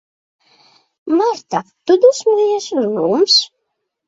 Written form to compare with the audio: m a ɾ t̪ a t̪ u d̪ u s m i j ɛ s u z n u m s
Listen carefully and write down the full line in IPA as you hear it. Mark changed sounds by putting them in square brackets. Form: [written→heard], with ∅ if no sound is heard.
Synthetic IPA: m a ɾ t̪ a t̪ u d̪ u s m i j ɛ s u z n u m s